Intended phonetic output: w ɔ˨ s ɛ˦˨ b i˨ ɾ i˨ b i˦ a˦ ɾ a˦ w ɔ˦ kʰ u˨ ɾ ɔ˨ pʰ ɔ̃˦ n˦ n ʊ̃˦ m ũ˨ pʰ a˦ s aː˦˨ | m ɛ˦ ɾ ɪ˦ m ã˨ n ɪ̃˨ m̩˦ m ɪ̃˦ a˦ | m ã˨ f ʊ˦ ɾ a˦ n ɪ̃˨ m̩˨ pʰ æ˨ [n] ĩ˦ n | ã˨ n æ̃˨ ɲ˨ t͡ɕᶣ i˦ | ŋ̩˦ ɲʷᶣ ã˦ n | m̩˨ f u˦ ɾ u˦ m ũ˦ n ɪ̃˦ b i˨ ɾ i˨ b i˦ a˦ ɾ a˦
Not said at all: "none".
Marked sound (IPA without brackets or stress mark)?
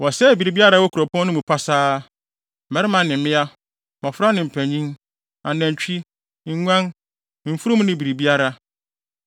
ɲ